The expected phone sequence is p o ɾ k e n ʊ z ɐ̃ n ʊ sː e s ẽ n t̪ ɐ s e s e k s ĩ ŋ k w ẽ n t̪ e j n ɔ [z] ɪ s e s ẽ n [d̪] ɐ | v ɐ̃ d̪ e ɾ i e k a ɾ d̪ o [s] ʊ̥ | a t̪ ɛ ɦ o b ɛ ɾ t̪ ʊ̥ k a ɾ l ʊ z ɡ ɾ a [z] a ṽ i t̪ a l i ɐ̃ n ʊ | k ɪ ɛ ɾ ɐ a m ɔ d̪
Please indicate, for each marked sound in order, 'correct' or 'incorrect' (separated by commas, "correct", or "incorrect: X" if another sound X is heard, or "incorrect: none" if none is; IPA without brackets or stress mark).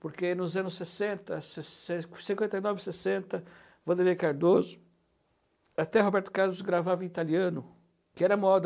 incorrect: v, incorrect: t̪, incorrect: z, incorrect: v